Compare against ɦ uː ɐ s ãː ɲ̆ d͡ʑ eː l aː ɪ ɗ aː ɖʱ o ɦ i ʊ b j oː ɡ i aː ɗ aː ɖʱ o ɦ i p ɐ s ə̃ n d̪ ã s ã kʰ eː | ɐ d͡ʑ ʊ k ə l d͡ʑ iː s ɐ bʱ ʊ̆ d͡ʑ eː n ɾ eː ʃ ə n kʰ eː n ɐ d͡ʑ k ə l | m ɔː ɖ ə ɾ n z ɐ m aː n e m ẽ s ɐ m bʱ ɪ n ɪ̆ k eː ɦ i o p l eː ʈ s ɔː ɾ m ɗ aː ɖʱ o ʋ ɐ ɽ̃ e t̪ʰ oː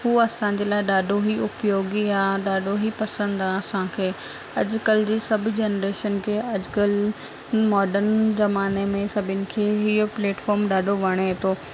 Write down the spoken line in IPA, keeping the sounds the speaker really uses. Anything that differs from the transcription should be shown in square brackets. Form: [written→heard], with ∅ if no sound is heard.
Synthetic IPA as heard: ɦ uː ɐ s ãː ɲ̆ d͡ʑ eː l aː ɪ ɗ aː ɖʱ o ɦ i ʊ [b→p] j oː ɡ i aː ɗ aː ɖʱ o ɦ i p ɐ s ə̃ n d̪ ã s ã kʰ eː | ɐ d͡ʑ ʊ k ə l d͡ʑ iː s ɐ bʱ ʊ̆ d͡ʑ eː n ɾ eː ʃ ə n kʰ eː [n→∅] ɐ d͡ʑ k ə l | m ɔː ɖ ə ɾ n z ɐ m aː n e m ẽ s ɐ [m→∅] bʱ ɪ n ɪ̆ [k→kʰ] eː ɦ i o p l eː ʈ [s→f] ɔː ɾ m ɗ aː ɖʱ o ʋ ɐ ɽ̃ e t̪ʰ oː